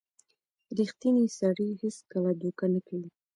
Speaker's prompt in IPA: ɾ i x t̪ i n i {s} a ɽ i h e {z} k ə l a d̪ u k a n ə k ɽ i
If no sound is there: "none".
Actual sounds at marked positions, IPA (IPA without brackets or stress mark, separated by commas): s, s